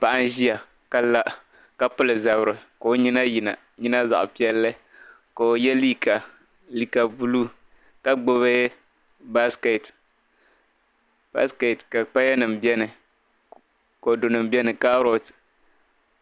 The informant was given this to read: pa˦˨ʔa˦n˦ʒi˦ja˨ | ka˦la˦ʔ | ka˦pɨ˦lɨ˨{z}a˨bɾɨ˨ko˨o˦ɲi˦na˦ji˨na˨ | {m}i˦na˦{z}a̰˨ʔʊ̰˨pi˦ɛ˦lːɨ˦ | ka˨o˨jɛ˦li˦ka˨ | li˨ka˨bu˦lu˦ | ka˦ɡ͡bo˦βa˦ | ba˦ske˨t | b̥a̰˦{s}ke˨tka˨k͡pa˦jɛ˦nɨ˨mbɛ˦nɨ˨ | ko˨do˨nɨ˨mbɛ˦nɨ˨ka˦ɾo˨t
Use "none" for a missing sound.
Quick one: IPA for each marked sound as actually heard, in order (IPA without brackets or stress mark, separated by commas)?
z, ɲ, z, s